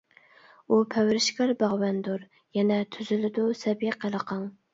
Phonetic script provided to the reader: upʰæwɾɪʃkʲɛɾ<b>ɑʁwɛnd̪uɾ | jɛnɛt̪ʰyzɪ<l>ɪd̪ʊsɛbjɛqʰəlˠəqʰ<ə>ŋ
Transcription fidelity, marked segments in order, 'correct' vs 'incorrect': correct, correct, incorrect: ɑ

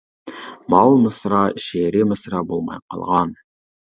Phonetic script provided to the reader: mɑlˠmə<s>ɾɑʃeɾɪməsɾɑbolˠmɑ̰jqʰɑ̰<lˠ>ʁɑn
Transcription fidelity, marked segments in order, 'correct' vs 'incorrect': correct, correct

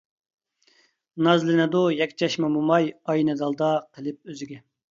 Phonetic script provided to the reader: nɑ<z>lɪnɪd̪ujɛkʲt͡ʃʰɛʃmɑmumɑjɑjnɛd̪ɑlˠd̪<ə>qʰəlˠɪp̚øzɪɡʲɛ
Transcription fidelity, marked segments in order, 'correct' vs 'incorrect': correct, incorrect: ɑ

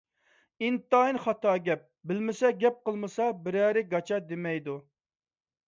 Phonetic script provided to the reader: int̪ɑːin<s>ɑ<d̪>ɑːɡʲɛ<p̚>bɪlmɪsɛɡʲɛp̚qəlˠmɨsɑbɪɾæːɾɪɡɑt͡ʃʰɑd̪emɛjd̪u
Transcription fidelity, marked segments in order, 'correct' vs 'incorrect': incorrect: χ, incorrect: t̪, correct

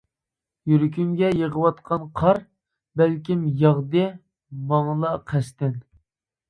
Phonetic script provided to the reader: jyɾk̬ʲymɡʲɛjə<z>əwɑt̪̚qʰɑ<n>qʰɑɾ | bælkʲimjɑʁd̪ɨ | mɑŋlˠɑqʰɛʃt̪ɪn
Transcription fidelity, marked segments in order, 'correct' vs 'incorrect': incorrect: ʁ, correct

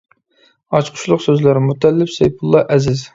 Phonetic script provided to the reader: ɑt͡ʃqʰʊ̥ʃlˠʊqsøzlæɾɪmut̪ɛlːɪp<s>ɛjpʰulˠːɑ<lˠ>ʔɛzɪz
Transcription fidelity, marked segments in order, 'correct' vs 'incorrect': correct, incorrect: none

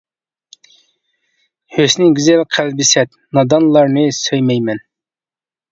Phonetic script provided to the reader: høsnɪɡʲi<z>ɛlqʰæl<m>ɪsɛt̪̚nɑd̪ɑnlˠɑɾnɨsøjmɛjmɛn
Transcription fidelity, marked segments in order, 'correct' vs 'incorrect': correct, incorrect: b

